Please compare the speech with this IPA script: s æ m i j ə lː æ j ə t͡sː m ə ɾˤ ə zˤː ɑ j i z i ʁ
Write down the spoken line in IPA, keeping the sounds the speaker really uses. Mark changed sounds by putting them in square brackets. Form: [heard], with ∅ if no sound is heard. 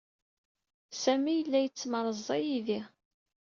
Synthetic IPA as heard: s æ m i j ə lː æ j ə t͡sː m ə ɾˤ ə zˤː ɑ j i [ð] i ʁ